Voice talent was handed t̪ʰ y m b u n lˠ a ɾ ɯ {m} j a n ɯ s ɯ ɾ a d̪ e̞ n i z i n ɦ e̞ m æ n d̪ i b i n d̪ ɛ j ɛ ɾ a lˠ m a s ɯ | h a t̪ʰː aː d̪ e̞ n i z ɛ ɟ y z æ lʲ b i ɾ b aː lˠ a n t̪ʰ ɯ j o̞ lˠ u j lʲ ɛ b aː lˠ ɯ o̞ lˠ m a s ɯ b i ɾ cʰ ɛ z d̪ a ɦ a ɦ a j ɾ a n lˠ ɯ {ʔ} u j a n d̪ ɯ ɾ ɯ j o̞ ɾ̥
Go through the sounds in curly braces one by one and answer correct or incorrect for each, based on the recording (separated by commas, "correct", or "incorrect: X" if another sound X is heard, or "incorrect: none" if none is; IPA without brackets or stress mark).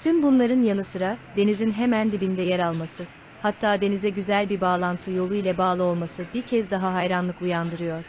incorrect: n, incorrect: k